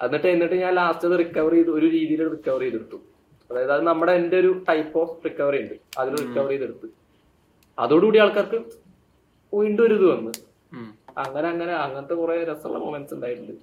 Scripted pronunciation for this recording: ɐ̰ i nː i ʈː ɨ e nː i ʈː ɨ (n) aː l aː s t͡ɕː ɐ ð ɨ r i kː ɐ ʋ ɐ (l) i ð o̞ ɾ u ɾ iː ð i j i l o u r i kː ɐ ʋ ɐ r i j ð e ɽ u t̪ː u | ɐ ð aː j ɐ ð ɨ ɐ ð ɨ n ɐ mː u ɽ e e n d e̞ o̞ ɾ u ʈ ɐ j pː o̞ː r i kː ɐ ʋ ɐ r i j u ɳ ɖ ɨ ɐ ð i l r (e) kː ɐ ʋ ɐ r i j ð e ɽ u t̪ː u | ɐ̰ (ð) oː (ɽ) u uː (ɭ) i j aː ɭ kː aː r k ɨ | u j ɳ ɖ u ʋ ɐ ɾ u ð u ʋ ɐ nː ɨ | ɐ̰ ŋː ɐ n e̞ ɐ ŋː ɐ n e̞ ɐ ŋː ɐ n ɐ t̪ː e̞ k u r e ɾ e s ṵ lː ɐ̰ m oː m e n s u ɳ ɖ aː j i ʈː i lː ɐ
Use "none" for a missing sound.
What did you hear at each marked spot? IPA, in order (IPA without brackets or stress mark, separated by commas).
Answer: ɲ, r, i, ð, ɽ, ɽ